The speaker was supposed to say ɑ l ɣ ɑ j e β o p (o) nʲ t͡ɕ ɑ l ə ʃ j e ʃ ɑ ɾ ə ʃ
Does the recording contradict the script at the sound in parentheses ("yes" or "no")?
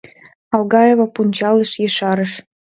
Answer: yes